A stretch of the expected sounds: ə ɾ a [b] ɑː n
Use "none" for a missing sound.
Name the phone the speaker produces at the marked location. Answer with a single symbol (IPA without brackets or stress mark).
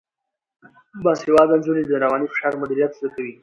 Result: w